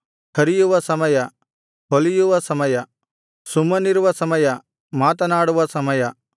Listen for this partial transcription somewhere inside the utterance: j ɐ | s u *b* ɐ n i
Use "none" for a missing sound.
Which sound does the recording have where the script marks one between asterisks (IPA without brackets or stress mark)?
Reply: m